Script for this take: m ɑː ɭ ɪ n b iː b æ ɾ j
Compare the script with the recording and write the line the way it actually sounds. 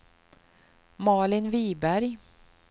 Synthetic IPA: m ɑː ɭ ɪ n v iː b æ ɾ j